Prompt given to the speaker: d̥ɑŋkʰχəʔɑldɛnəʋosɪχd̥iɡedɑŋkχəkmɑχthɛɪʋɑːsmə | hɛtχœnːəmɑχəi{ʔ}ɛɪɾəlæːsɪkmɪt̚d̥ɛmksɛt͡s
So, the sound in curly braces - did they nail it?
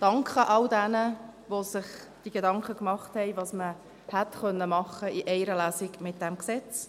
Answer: yes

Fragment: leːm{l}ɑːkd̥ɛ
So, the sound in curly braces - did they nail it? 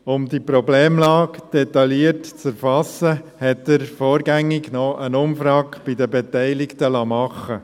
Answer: yes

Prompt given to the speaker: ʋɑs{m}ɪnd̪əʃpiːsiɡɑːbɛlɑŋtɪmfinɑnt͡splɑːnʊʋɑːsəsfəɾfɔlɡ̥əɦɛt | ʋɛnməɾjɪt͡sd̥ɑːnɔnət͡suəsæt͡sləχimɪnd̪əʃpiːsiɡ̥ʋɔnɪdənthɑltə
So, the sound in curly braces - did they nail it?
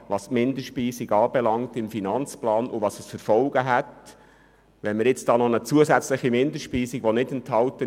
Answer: yes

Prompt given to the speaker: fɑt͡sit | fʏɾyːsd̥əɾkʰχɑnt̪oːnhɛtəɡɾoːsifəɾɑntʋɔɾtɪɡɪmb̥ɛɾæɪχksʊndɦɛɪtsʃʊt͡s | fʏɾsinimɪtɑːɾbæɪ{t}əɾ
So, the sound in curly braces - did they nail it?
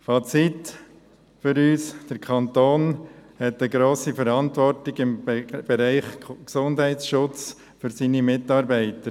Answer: yes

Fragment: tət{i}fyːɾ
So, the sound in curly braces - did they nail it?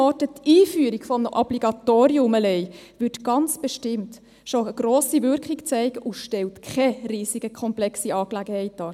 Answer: no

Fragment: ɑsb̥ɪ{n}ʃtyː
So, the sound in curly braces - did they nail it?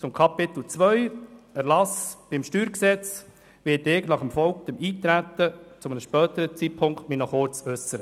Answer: no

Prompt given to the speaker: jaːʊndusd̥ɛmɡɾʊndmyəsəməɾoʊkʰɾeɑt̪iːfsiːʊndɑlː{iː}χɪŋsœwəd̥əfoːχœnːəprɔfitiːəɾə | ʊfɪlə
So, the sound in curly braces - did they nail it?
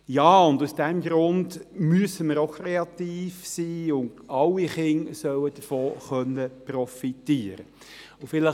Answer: no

